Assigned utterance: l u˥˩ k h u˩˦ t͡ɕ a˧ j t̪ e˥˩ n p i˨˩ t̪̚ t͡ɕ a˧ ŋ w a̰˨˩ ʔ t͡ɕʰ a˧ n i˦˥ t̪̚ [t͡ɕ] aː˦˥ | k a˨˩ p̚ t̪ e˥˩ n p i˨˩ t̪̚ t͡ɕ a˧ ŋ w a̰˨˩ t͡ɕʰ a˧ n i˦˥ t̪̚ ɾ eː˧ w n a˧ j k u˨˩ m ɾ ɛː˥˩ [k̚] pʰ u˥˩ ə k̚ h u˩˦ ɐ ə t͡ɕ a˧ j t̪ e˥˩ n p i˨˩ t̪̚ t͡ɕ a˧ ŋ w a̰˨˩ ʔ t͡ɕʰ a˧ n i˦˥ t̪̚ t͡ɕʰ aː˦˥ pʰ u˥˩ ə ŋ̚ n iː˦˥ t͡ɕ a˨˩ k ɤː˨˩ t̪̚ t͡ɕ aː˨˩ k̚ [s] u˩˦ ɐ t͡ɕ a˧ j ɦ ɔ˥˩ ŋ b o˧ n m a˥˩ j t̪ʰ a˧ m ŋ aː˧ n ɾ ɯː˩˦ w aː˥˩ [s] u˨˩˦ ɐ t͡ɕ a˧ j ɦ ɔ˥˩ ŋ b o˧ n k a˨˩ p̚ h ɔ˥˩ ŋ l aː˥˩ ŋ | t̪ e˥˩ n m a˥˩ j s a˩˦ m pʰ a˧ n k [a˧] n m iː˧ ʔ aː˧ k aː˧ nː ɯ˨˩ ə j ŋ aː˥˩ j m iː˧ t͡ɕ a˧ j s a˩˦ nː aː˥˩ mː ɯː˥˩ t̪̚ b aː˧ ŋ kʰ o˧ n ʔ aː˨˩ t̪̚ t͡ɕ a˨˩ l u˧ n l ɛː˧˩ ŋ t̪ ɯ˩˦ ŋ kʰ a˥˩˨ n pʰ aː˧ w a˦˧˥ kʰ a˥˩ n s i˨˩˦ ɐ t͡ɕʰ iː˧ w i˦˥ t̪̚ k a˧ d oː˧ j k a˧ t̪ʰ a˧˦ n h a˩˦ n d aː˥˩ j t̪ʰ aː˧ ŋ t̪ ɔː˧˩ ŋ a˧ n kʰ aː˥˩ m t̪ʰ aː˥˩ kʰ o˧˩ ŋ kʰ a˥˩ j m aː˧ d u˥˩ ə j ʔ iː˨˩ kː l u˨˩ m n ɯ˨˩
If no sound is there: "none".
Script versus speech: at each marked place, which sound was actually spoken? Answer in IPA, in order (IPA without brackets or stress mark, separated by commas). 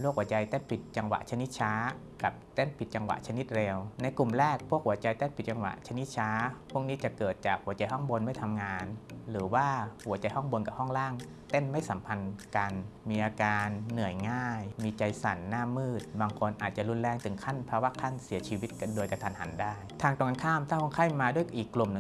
t͡ɕʰ, k̚, h, h, a˧